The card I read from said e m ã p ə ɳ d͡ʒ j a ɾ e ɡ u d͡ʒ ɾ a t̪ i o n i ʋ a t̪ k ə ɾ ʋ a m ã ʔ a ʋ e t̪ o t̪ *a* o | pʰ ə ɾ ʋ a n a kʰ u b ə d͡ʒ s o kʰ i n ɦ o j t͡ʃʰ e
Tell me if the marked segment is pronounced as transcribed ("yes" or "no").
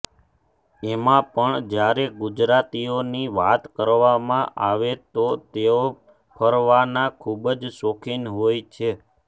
no